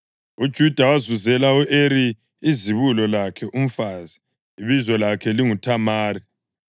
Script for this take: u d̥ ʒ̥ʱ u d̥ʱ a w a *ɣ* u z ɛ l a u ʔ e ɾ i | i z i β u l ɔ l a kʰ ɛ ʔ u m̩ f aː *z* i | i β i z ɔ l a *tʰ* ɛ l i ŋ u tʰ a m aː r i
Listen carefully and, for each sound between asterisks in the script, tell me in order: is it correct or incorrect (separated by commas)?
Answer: incorrect, correct, incorrect